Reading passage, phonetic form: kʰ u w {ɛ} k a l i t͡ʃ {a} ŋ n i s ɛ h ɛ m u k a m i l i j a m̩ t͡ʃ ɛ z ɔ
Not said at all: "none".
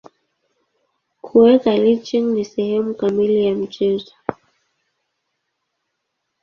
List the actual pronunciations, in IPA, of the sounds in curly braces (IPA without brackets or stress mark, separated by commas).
ɛ, i